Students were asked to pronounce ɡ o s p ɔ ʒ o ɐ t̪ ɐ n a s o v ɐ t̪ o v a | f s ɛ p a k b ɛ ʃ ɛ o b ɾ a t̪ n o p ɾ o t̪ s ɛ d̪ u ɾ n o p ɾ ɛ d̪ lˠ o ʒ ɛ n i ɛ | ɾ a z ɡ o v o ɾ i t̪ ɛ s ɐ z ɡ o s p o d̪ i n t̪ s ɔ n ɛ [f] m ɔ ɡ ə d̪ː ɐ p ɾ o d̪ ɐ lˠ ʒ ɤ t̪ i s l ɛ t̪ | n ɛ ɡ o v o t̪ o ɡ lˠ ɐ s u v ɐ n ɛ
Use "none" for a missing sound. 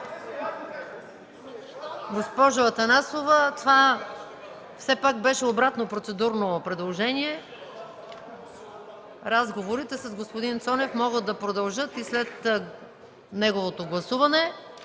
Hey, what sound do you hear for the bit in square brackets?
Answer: f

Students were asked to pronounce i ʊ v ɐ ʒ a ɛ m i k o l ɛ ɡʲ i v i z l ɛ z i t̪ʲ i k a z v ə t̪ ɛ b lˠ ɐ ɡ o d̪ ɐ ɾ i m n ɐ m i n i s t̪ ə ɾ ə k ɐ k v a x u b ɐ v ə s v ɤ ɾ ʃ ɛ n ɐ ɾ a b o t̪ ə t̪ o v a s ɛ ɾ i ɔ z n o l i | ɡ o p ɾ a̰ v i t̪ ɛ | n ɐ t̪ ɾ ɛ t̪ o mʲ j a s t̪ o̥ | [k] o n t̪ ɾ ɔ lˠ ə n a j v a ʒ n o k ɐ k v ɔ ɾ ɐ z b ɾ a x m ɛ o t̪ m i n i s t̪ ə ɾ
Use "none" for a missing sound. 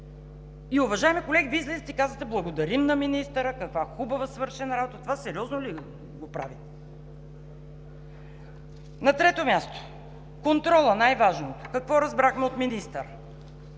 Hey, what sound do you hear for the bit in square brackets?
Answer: k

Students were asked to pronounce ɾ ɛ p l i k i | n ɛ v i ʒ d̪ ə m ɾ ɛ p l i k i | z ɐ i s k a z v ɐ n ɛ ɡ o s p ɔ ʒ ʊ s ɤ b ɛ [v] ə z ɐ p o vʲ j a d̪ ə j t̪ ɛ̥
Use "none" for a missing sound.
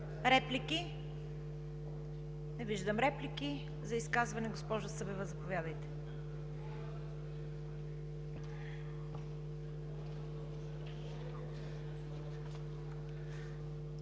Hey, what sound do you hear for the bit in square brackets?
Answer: v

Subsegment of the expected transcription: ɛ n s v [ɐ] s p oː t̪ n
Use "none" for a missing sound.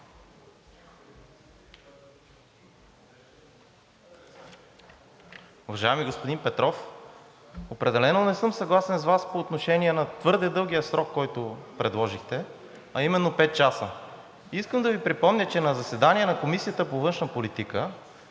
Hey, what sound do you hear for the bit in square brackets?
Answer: a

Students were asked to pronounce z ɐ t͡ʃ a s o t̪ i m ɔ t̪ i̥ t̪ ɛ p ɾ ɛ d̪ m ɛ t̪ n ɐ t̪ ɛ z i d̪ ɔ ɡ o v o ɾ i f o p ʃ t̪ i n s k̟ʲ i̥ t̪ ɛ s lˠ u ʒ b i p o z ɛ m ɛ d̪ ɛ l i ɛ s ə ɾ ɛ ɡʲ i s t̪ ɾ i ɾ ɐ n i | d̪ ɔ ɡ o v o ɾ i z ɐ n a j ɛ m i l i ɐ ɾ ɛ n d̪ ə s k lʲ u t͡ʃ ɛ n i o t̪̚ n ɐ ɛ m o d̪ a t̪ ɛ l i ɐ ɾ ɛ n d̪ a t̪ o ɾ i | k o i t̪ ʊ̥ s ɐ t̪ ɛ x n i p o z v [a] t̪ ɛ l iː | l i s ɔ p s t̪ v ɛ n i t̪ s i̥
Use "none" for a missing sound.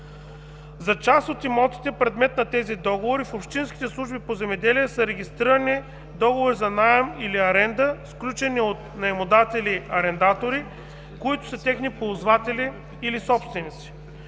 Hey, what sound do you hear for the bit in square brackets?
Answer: a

